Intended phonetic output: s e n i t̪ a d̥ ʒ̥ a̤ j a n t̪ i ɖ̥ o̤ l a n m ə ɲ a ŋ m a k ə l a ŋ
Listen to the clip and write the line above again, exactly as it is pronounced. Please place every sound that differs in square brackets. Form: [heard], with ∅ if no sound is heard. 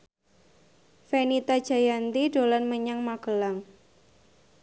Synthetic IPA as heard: [f] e n i t̪ a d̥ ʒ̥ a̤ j a n t̪ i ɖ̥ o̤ l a n m ə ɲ a ŋ m a k ə l a ŋ